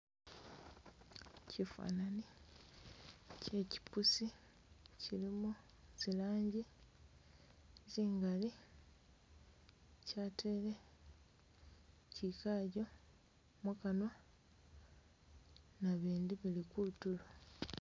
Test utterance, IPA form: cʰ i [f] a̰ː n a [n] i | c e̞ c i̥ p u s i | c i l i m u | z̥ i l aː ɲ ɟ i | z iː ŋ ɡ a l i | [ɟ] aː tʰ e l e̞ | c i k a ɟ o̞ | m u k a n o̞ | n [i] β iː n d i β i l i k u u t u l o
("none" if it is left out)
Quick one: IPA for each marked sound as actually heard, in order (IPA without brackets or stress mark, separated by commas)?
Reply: f, n, c, a